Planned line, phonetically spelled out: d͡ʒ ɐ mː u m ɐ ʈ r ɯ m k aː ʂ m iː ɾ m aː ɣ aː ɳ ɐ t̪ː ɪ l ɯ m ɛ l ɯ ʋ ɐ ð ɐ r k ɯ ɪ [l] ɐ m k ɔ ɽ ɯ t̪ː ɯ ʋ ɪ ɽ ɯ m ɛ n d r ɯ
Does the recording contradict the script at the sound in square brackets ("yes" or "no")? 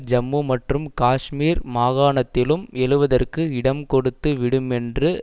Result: yes